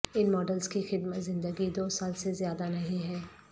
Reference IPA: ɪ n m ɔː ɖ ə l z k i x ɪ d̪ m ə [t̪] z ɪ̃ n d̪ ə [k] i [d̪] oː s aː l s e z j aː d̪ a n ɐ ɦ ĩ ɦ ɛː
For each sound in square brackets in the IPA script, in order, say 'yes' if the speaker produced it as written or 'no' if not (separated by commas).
yes, no, yes